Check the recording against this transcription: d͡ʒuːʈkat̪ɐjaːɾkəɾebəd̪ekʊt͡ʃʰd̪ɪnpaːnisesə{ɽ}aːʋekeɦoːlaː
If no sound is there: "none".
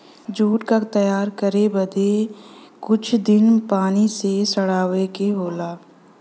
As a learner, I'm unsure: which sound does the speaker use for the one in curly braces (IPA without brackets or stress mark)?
ɽ